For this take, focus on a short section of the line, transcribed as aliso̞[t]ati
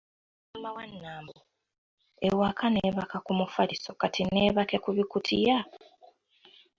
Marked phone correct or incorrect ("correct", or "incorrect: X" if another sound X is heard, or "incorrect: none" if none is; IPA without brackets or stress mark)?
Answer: incorrect: k